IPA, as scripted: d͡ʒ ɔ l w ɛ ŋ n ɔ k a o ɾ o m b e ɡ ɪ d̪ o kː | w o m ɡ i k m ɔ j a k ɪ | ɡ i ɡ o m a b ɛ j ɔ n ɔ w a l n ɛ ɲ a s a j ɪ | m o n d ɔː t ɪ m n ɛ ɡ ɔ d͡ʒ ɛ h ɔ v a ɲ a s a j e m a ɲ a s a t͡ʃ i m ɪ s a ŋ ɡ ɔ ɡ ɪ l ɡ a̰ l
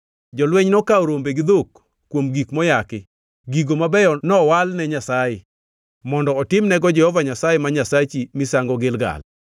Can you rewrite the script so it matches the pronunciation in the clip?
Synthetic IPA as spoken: d͡ʒ ɔ l w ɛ ɲ n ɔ k a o ɾ o m b e ɡ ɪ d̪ o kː | w o m ɡ i k m ɔ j a k ɪ | ɡ i ɡ o m a b ɛ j ɔ n ɔ w a l n ɛ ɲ a s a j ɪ | m ɔ n d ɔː t ɪ m n ɛ ɡ ɔ d͡ʒ ɛ h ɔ v a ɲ a s a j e m a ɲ a s a t͡ʃ i m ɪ s a ŋ ɡ ɔ ɡ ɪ l ɡ a̰ l

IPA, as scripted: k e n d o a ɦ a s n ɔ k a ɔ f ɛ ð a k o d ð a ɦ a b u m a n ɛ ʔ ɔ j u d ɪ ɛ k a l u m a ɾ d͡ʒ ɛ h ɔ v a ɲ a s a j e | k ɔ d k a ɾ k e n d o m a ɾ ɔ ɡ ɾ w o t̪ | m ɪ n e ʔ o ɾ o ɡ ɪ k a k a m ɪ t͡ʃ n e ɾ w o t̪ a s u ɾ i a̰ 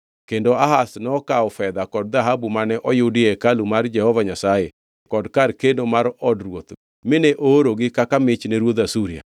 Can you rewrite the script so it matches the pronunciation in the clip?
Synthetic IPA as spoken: k e n d o a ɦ a s n ɔ k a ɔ f ɛ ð a k ɔ d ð a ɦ a b u m a n ɛ ʔ ɔ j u d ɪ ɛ k a l u m a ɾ d͡ʒ ɛ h ɔ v a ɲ a s a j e | k ɔ d k a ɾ k e n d o m a ɾ ɔ d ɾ w o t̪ | m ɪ n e ʔ o ɾ o ɡ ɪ k a k a m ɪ t͡ʃ n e ɾ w o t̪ a s u ɾ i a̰

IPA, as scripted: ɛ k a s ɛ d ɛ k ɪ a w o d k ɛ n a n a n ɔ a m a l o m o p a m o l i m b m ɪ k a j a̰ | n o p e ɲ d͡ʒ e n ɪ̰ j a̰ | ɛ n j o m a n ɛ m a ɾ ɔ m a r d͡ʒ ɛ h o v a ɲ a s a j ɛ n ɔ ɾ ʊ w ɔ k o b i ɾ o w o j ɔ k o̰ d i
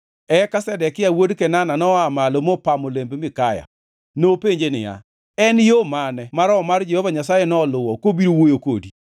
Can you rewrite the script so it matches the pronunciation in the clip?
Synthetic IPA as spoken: ɛ k a s ɛ d ɛ k ɪ a w o d k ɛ n a n a n ɔ a m a l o m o p a m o l e m b m ɪ k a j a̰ | n o p e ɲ d͡ʒ e n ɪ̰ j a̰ | ɛ n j o m a n ɛ m a ɾ ɔ m a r d͡ʒ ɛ h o v a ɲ a s a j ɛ n ɔ l ʊ w ɔ k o b i ɾ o w o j o k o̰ d i

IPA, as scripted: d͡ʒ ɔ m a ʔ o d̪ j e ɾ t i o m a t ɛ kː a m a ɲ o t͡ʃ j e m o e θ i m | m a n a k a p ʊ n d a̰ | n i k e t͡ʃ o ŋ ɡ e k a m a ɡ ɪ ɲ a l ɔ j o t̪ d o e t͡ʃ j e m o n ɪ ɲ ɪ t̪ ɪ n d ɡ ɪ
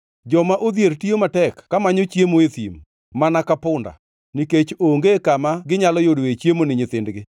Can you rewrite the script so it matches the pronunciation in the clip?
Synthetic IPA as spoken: d͡ʒ ɔ m a ʔ o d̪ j e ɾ t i o m a t ɛ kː a m a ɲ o t͡ʃ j e m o e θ i m | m a n a k a p ʊ n d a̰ | n i k e t͡ʃ o ŋ ɡ e k a m a ɡ ɪ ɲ a l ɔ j o d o e t͡ʃ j e m o n ɪ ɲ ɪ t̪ ɪ n d ɡ ɪ

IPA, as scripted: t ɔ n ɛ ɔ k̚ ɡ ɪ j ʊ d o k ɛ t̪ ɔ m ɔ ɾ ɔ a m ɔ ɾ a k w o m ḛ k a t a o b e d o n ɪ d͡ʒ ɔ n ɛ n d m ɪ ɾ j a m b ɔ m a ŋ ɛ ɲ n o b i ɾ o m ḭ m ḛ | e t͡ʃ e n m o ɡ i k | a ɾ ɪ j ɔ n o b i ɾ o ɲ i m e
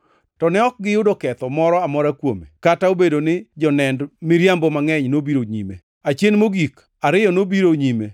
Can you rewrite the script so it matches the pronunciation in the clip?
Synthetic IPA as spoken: t ɔ n ɛ ɔ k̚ ɡ ɪ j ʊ d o k ɛ t̪ ɔ m ɔ ɾ ɔ a m ɔ ɾ a k w o m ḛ k a t a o b e d o n ɪ d͡ʒ ɔ n ɛ n d m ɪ ɾ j a m b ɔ m a ŋ ɛ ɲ n o b i ɾ o ɲ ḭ m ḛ | a t͡ʃ e n m o ɡ i k | a ɾ ɪ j ɔ n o b i ɾ o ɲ i m e

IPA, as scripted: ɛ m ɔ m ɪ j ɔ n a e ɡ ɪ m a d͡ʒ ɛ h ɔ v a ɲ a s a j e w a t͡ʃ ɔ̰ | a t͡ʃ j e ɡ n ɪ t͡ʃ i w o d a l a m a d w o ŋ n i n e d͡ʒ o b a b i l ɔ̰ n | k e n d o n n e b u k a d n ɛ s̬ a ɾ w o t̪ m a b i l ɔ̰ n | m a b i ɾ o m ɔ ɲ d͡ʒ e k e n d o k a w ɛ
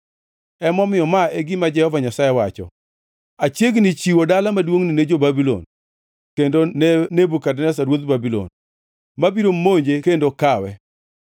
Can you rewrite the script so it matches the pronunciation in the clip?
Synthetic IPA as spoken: ɛ m ɔ m ɪ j ɔ m a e ɡ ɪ m a d͡ʒ ɛ h ɔ v a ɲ a s a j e w a t͡ʃ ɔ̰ | a t͡ʃ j e ɡ n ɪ t͡ʃ i w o d a l a m a d w o ŋ n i n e d͡ʒ o b a b i l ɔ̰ n | k e n d o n n e b u k a d n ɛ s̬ a ɾ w o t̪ b a b i l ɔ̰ n | m a b i ɾ o m o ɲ d͡ʒ e k e n d o k a w ɛ

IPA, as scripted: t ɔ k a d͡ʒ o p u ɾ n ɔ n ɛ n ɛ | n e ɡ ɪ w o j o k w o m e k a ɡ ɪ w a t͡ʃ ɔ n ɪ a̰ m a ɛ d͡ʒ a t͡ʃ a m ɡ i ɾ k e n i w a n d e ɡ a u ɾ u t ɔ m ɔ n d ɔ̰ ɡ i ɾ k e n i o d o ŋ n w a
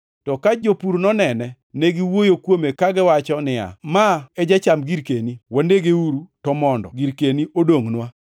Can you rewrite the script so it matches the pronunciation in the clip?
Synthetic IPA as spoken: t ɔ k a d͡ʒ o p u ɾ n ɔ n ɛ n ɛ | n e ɡ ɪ w o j o k w o m e k a ɡ ɪ w a t͡ʃ ɔ n ɪ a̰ m a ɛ d͡ʒ a t͡ʃ a m ɡ i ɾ k e n i w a n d e ɡ e u ɾ u t ɔ m ɔ n d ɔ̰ ɡ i ɾ k e n i o d o ŋ n w a

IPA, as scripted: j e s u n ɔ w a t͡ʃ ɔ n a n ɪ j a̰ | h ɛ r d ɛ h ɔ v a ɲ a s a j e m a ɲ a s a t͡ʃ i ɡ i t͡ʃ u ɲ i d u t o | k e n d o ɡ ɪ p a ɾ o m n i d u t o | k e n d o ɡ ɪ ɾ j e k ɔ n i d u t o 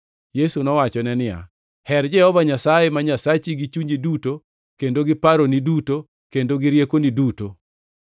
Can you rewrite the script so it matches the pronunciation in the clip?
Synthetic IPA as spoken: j e s u n ɔ w a t͡ʃ ɔ n ɛ n ɪ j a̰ | h ɛ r d͡ʒ ɛ h ɔ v a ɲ a s a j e m a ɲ a s a t͡ʃ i ɡ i t͡ʃ u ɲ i d u t o | k e n d o ɡ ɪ p a ɾ o n i d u t o | k e n d o ɡ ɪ ɾ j e k o n i d u t o

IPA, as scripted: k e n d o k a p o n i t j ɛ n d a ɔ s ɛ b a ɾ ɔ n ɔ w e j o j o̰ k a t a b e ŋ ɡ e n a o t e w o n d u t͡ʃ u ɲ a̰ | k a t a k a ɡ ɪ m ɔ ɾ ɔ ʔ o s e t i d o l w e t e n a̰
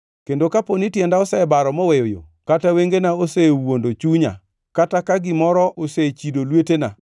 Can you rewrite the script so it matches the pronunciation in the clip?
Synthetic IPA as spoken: k e n d o k a p o n i t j ɛ n d a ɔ s ɛ b a ɾ ɔ m ɔ w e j o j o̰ k a t a w e ŋ ɡ e n a o s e w o n d o t͡ʃ u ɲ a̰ | k a t a k a ɡ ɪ m ɔ ɾ ɔ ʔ o s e t͡ʃ i d o l w e t e n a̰

